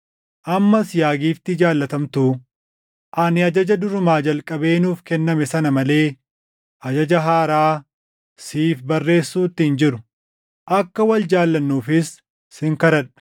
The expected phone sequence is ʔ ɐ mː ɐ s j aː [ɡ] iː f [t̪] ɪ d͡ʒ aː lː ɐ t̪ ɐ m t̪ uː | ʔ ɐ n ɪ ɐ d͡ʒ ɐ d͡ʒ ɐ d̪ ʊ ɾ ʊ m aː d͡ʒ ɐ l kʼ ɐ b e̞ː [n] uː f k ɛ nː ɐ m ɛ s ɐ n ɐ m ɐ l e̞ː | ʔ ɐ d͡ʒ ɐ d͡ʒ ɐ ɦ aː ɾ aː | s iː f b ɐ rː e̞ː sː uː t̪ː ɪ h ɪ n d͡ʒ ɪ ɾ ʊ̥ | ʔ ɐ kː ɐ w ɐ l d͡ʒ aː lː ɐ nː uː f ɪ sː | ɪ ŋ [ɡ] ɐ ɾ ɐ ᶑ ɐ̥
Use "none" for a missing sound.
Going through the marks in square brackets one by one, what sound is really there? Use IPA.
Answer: ɡ, t̪, n, k

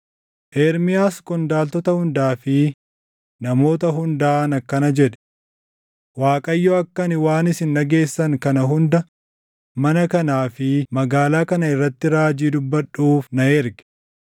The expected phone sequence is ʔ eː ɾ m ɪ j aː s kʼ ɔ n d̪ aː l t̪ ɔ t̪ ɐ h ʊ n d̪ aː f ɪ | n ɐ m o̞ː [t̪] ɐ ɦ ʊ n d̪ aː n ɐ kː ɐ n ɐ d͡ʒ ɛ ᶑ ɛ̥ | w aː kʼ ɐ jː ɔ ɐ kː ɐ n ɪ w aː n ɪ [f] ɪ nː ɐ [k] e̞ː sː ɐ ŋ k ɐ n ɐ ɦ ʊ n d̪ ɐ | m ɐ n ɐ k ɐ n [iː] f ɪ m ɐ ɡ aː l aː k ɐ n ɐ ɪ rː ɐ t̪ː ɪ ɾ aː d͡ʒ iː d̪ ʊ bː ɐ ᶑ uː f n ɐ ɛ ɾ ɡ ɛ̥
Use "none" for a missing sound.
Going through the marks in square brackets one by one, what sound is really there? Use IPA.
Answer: t̪, s, ɡ, aː

